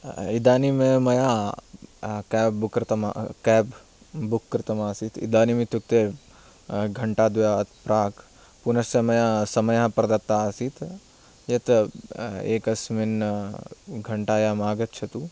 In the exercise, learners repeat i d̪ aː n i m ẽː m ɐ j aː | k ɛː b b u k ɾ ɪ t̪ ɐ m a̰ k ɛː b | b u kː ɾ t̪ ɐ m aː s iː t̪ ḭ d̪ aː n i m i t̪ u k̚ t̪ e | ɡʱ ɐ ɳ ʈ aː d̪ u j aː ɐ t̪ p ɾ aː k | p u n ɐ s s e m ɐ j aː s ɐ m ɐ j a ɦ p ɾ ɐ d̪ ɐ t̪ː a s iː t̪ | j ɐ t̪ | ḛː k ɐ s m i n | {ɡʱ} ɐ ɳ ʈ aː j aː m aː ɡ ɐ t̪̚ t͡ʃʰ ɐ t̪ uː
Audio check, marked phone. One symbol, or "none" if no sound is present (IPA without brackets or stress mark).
ɡʱ